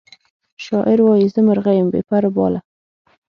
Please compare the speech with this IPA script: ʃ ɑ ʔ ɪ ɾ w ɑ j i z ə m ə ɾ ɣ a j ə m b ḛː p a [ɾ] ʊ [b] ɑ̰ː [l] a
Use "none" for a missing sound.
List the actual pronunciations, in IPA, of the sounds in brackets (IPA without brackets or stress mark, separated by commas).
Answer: ɾ, b, l